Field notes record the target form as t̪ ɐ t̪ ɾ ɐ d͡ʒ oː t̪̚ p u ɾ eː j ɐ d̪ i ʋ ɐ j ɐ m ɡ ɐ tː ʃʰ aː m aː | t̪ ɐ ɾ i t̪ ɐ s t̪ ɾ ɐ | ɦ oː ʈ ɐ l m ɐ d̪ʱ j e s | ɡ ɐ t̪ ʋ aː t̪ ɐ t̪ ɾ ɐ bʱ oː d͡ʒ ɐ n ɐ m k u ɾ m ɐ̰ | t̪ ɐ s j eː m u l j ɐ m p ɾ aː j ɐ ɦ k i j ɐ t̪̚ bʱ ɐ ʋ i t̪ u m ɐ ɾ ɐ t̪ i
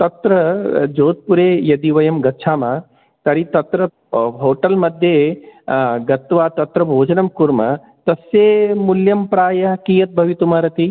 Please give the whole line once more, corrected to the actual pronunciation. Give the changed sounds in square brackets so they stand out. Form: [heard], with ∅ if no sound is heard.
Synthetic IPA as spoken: t̪ ɐ t̪ ɾ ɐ d͡ʒ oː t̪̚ p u ɾ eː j ɐ d̪ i ʋ ɐ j ɐ m ɡ ɐ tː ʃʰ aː m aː | t̪ ɐ ɾ i t̪ ɐ [∅] t̪ ɾ ɐ | ɦ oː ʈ ɐ l m ɐ d̪ʱ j e [∅] | ɡ ɐ t̪ ʋ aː t̪ ɐ t̪ ɾ ɐ bʱ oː d͡ʒ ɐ n ɐ m k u ɾ m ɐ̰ | t̪ ɐ s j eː m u l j ɐ m p ɾ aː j ɐ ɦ k i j ɐ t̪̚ bʱ ɐ ʋ i t̪ u m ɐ ɾ ɐ t̪ i